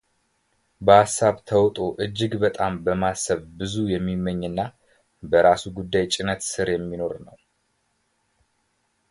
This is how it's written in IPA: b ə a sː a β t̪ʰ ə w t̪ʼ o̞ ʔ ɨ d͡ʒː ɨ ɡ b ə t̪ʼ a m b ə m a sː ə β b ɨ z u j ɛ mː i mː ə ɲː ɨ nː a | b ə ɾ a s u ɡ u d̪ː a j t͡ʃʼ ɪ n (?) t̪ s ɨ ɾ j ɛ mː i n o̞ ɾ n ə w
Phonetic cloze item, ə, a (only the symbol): ə